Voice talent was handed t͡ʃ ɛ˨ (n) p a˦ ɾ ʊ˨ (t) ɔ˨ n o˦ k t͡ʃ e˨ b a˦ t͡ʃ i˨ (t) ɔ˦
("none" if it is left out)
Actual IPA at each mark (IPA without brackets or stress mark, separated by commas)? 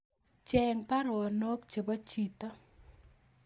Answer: ŋ, none, t